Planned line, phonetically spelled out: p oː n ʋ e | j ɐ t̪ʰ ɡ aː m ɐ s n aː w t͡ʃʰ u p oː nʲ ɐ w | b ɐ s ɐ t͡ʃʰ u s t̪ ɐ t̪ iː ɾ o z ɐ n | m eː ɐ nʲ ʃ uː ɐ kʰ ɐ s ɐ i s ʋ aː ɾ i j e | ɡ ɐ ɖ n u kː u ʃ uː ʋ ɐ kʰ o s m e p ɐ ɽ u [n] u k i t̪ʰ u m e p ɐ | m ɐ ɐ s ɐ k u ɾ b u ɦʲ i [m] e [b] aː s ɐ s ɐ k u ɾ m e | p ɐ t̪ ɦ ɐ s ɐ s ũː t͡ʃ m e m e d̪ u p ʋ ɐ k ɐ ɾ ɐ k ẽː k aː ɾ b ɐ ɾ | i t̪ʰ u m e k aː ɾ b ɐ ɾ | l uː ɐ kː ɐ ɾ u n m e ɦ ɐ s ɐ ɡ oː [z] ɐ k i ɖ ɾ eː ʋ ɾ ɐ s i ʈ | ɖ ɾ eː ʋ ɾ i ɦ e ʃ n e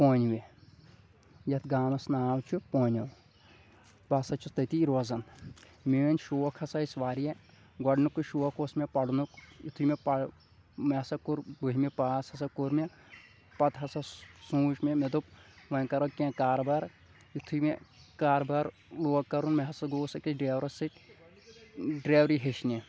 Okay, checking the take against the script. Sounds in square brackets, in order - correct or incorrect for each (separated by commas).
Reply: correct, correct, incorrect, incorrect